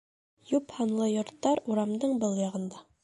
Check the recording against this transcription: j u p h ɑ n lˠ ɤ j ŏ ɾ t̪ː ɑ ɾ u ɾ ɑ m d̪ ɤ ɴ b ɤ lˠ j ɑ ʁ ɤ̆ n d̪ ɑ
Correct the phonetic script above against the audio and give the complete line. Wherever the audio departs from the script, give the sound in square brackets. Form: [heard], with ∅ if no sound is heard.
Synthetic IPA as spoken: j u p h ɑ n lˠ ɤ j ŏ ɾ t̪ː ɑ ɾ u ɾ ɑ m d̪ ɤ ɴ b ɤ lˠ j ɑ ʁ ɤ̆ n d̪ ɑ